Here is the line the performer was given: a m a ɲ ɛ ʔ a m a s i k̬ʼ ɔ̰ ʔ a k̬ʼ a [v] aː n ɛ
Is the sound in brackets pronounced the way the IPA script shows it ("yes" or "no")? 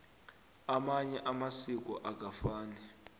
no